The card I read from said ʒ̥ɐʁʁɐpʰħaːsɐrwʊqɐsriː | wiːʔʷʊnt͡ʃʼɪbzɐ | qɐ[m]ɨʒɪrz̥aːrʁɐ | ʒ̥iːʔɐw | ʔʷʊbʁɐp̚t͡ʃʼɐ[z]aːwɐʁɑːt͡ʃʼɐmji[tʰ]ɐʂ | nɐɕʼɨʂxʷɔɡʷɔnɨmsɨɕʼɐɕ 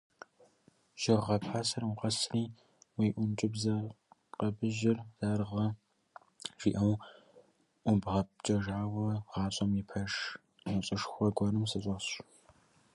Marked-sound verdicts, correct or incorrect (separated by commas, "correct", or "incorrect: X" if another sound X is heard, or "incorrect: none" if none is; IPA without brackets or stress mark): incorrect: b, incorrect: ʒ, incorrect: pʰ